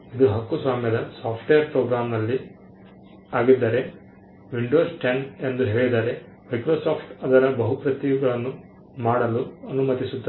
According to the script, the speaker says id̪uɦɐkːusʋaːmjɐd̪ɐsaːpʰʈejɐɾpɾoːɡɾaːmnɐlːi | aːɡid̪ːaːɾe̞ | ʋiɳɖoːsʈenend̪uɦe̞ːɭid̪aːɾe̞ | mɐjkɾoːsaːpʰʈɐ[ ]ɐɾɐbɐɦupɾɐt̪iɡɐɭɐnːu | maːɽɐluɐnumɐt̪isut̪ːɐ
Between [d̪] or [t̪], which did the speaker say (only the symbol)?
d̪